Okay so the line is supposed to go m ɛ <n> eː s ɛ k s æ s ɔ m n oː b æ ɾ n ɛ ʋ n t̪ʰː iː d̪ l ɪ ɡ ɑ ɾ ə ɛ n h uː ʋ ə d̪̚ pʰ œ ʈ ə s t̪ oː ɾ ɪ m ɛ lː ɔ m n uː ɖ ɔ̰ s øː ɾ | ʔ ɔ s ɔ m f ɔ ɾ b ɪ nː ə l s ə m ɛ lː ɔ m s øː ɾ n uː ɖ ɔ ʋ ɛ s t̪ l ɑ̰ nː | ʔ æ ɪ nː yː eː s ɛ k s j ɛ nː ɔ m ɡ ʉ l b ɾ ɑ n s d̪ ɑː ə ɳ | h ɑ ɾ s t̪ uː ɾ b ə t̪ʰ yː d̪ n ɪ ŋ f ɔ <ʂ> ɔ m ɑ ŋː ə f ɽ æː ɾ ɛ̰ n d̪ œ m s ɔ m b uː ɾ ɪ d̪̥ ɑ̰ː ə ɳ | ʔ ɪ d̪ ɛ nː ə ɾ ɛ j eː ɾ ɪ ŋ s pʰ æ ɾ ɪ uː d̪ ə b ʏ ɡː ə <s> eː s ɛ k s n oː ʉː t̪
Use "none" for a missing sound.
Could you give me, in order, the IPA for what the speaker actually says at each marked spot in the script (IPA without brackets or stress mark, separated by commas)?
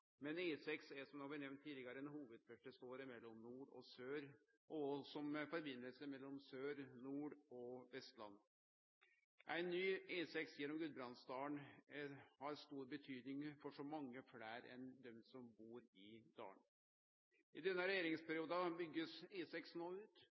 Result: n, ʂ, s